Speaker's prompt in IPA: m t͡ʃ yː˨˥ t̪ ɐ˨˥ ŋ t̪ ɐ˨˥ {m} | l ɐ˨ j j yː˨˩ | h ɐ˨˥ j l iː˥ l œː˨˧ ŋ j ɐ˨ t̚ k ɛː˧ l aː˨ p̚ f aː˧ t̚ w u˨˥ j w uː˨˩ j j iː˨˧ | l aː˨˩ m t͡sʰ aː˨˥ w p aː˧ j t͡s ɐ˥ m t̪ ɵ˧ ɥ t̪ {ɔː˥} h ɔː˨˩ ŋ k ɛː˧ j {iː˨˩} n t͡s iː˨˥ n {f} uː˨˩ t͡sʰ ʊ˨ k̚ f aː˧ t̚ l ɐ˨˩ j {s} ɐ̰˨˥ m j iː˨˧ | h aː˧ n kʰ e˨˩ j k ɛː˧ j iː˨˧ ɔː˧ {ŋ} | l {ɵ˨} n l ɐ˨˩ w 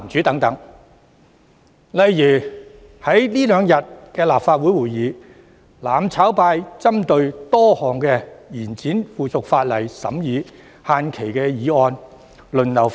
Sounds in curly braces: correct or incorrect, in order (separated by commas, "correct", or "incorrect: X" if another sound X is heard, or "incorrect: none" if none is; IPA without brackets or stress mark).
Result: incorrect: ŋ, correct, correct, correct, correct, incorrect: n, correct